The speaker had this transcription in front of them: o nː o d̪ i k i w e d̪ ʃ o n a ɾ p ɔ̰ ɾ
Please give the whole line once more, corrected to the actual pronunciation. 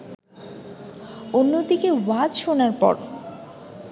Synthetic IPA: o nː o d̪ i k e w a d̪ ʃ o n a ɾ p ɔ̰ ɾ